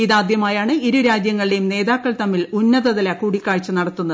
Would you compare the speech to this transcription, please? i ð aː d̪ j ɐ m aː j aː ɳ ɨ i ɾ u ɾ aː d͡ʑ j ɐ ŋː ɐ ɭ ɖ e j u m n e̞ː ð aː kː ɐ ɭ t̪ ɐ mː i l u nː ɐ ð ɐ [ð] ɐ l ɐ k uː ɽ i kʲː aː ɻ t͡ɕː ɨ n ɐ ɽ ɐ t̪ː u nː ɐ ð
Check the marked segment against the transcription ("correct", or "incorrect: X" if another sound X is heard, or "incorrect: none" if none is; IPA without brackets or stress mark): correct